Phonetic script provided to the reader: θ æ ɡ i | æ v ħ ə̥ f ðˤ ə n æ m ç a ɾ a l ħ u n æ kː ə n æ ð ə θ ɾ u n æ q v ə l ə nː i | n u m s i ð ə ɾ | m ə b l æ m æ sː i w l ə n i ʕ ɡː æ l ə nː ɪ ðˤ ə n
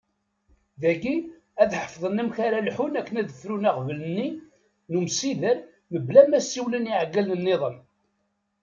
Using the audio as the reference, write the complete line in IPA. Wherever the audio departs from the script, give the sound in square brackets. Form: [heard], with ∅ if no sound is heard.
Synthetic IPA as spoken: [ð] æ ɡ i | æ [ð] ħ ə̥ f ðˤ ə n æ m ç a ɾ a l ħ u n æ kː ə n æ ð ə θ ɾ u n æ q v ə l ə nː i | n u m s i ð ə ɾ | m ə b l æ m æ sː i w l ə n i ʕ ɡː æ l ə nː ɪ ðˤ ə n